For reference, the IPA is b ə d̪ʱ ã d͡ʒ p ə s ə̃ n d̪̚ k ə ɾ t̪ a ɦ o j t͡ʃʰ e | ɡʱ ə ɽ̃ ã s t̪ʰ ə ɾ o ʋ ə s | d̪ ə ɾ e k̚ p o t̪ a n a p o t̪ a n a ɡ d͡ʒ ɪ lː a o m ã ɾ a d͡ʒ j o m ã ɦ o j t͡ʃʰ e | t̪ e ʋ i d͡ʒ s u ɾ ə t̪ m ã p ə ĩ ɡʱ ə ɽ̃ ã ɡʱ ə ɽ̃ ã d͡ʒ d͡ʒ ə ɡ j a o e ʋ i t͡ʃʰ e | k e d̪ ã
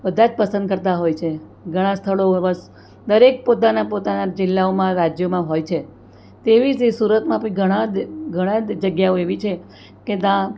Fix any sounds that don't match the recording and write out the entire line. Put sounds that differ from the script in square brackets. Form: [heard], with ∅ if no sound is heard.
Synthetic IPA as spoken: b ə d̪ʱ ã d͡ʒ p ə s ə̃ n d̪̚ k ə ɾ t̪ a ɦ o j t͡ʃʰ e | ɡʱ ə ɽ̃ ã s t̪ʰ ə [ɭ] o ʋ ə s | d̪ ə ɾ e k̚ p o t̪ a n a p o t̪ a n a [∅] d͡ʒ ɪ lː a o m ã ɾ a d͡ʒ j o m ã ɦ o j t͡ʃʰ e | t̪ e ʋ i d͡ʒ s u ɾ ə t̪ m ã p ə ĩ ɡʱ ə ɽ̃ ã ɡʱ ə ɽ̃ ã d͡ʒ d͡ʒ ə ɡ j a o e ʋ i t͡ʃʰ e | k e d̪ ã